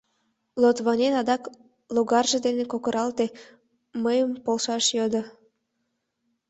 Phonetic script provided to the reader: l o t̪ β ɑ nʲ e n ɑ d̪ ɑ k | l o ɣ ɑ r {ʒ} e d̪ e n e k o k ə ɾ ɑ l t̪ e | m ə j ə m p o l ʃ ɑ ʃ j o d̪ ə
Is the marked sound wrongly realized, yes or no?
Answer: no